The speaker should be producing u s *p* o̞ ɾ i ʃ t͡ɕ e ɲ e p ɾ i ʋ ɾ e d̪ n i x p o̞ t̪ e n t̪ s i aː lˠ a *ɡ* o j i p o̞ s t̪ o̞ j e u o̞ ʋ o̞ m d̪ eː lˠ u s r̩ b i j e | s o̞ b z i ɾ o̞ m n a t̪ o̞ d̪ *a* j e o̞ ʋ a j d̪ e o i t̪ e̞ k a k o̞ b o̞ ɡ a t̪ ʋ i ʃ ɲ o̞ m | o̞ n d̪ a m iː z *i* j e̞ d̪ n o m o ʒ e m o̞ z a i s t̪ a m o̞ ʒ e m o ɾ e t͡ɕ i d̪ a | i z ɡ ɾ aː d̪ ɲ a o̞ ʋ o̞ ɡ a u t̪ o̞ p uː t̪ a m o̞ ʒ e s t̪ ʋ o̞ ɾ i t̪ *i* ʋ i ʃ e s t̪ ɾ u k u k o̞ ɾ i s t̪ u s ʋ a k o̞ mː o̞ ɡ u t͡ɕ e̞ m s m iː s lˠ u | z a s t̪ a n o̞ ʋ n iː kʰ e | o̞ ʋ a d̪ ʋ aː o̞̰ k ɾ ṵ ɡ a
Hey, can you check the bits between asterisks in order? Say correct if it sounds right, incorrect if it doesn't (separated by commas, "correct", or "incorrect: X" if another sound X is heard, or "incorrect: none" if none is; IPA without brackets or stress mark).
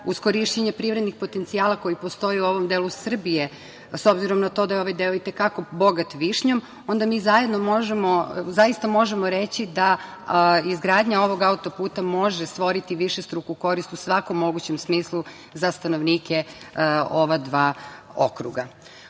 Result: incorrect: k, incorrect: k, correct, incorrect: a, correct